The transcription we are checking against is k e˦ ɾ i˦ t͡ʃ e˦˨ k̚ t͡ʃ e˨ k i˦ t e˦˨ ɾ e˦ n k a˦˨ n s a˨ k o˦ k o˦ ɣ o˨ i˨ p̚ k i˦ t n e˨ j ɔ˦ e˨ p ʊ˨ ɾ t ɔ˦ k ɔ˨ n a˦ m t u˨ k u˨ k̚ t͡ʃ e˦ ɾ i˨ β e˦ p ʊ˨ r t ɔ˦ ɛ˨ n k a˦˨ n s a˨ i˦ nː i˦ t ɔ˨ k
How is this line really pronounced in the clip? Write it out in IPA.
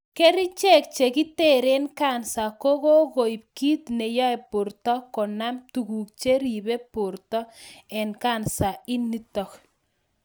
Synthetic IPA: k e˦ ɾ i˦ t͡ʃ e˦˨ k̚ t͡ʃ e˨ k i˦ t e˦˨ ɾ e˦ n k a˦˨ n s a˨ k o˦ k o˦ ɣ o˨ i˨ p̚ k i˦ t n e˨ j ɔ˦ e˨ p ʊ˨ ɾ t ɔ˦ k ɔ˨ n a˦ m t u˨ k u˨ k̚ t͡ʃ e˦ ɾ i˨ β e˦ p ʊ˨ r t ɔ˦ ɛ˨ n k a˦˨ n s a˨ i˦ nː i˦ t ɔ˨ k